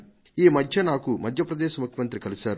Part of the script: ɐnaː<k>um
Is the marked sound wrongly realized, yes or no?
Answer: no